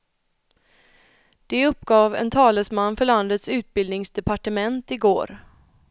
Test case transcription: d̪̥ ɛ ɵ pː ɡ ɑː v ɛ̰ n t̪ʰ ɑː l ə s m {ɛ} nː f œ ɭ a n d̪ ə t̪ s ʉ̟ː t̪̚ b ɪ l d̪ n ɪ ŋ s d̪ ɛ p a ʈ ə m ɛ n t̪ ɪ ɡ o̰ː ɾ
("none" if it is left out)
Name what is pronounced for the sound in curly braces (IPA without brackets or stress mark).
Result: a